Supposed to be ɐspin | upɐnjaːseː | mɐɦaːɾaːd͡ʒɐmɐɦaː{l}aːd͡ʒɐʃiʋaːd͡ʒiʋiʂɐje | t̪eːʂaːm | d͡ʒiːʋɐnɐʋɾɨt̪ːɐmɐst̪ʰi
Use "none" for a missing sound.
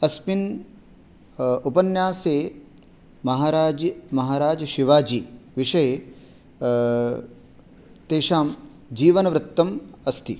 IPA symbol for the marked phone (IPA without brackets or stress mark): ɾ